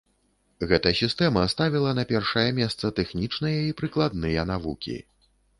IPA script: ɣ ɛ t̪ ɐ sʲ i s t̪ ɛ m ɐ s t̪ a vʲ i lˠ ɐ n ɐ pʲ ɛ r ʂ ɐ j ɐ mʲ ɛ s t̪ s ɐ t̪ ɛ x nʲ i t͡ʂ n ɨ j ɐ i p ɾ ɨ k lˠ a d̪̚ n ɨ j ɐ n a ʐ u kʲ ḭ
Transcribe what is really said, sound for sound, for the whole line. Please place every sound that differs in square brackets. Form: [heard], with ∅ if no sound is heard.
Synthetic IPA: ɣ ɛ t̪ ɐ sʲ i s t̪ ɛ m ɐ s t̪ a vʲ i lˠ ɐ n ɐ pʲ ɛ r ʂ ɐ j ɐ mʲ ɛ s t̪ s ɐ t̪ ɛ x nʲ i t͡ʂ n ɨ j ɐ i p ɾ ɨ k lˠ a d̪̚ n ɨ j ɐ n a [v] u kʲ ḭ